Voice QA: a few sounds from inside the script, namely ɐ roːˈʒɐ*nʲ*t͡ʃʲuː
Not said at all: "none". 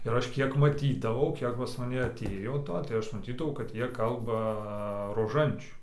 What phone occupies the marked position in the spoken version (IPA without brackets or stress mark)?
nʲ